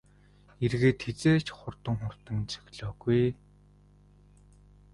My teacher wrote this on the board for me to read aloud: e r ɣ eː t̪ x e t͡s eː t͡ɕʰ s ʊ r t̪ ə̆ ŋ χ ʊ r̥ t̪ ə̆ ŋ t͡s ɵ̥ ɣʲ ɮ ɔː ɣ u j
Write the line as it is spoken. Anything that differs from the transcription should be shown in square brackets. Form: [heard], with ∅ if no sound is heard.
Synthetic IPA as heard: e r ɣ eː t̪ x e t͡s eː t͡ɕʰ [χ] ʊ r t̪ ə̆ ŋ χ ʊ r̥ t̪ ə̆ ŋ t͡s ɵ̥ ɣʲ ɮ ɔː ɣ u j